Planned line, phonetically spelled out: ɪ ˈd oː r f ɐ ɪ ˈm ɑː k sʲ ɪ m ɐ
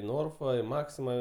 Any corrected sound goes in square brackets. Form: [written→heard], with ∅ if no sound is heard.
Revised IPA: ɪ [ˈd→ˈn] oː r f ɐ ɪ ˈm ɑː k sʲ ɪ m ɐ